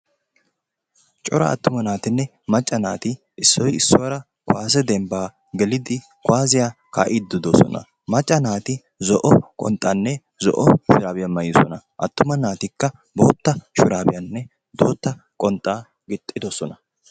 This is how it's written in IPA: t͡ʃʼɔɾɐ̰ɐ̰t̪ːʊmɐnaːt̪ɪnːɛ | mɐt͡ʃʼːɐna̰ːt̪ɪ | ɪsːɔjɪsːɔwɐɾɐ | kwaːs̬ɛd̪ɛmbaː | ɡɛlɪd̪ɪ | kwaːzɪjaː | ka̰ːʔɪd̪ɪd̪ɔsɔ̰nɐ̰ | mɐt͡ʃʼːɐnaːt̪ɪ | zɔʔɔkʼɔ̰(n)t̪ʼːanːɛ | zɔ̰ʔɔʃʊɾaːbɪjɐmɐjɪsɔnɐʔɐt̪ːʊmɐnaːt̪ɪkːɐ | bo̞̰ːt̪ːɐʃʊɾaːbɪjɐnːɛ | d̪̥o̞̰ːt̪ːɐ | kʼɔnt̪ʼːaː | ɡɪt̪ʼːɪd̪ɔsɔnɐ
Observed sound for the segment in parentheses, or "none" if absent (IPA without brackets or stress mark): n